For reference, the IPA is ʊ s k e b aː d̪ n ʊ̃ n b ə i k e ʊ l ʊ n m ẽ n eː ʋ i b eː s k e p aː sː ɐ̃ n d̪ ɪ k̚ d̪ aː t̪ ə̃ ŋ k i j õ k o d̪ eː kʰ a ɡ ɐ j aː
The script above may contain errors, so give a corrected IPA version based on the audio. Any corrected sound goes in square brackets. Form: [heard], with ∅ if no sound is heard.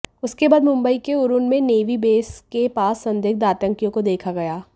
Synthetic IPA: ʊ s k e b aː d̪ [m] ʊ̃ [m] b ə i k e ʊ [ɾ] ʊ n m ẽ n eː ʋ i b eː s k e p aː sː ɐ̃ n d̪ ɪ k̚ d̪ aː t̪ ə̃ ŋ k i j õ k o d̪ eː kʰ a ɡ ɐ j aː